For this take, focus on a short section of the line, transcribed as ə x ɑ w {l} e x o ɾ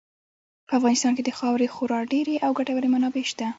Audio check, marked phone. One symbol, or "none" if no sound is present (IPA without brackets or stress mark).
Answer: ɾ